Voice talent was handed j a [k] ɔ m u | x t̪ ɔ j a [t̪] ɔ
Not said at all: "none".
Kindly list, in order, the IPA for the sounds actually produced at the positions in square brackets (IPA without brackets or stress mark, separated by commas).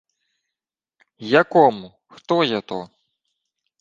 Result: k, t̪